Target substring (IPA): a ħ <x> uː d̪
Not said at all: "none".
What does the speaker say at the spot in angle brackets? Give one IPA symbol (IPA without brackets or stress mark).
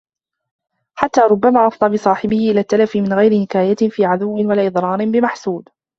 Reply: s